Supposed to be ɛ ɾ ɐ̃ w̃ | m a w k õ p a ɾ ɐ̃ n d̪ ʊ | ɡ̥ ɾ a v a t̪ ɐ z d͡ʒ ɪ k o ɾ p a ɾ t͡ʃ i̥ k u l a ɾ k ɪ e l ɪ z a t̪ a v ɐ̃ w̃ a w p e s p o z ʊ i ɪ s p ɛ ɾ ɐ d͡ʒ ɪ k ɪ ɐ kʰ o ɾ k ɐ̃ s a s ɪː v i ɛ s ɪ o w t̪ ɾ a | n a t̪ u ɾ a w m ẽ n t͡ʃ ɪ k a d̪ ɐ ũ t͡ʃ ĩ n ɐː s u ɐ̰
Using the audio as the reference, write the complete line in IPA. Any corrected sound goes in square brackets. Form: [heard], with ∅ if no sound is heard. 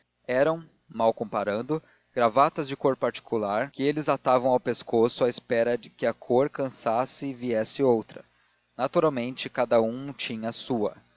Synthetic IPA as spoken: ɛ ɾ ɐ̃ w̃ | m a w k õ p a ɾ ɐ̃ n d̪ ʊ | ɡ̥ ɾ a v a t̪ ɐ z d͡ʒ ɪ k o ɾ p a ɾ t͡ʃ i̥ k u l a ɾ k ɪ e l ɪ z a t̪ a v ɐ̃ w̃ a w p e s [k] o [s] ʊ [a] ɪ s p ɛ ɾ ɐ d͡ʒ ɪ k ɪ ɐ kʰ o ɾ k ɐ̃ s a s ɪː v i ɛ s ɪ o w t̪ ɾ [ɐ] | n a t̪ u ɾ a w m ẽ n t͡ʃ ɪ k a d̪ ɐ ũ t͡ʃ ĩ [ɲ] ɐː s u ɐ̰